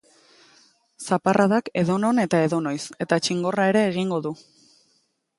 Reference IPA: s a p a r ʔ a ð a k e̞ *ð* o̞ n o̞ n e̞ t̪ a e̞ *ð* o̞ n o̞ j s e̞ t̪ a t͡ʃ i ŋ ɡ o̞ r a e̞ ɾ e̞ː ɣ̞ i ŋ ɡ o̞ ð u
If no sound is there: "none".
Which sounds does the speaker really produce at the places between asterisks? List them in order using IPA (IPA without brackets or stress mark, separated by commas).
ð, ð